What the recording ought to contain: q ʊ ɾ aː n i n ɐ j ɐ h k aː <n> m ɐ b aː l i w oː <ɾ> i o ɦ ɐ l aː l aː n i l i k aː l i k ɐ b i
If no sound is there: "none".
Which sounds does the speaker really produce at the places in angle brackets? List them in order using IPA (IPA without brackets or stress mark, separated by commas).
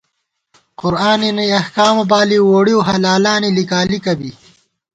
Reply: none, ɽ